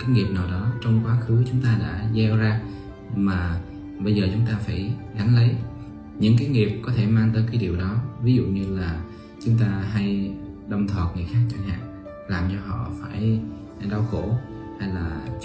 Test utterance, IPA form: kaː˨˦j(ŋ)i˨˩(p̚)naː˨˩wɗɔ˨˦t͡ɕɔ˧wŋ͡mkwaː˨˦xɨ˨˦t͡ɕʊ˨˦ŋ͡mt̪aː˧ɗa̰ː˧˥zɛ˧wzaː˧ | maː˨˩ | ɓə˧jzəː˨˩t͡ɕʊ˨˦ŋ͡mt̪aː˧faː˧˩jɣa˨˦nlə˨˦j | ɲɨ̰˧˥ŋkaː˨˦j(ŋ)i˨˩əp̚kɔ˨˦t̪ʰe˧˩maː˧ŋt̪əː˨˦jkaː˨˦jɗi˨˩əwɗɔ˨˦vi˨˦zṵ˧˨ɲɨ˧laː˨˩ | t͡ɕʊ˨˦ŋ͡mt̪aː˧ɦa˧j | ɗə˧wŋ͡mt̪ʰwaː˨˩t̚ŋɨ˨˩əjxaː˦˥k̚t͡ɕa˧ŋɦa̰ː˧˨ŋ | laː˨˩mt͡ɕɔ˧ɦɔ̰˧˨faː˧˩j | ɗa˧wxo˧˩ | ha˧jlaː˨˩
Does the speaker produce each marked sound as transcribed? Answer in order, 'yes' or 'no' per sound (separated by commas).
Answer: yes, yes, yes